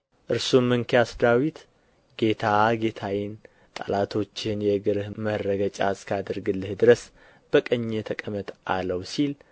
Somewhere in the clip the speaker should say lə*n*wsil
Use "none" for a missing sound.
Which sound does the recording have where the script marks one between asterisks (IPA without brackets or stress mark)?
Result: none